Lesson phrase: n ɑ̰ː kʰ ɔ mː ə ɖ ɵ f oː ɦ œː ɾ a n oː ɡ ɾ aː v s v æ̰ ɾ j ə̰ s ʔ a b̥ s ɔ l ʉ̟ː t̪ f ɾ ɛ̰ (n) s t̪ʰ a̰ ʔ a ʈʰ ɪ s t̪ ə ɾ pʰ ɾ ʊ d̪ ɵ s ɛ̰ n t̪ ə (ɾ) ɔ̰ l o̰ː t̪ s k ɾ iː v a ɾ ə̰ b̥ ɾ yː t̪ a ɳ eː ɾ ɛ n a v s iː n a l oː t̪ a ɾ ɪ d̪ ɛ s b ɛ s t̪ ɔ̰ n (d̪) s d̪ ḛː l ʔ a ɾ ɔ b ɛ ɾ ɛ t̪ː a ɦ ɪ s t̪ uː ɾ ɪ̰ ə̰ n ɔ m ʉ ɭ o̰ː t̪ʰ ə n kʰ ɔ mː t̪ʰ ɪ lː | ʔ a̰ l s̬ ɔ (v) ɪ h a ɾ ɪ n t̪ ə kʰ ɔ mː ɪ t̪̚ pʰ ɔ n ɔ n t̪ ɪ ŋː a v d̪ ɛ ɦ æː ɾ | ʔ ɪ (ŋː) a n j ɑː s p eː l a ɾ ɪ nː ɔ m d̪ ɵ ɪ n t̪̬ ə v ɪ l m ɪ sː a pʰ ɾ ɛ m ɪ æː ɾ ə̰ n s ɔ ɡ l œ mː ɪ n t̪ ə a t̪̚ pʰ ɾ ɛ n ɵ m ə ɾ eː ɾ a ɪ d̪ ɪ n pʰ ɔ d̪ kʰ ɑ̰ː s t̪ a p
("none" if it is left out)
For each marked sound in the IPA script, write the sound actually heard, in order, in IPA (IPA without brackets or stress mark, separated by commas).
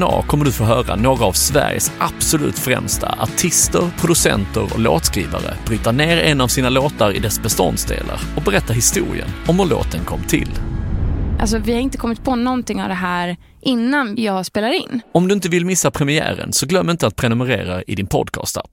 m, ɾ, d̪, v, nː